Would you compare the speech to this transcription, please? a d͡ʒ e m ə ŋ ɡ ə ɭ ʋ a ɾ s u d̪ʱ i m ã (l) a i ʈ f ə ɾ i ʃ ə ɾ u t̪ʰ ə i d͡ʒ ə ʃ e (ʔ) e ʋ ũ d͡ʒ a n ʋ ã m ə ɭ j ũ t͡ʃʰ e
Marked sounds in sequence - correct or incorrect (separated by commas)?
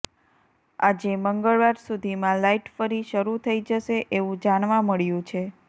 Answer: correct, correct